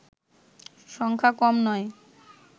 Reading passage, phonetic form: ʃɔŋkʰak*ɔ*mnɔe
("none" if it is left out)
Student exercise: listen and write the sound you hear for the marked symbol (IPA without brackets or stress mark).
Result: ɔ